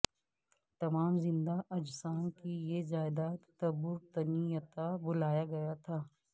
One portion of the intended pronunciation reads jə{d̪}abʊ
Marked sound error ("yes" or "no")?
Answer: yes